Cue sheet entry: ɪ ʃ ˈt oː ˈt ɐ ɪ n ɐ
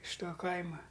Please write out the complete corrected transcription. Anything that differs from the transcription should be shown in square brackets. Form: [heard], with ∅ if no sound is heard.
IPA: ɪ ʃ ˈt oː [ˈk] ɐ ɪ [m] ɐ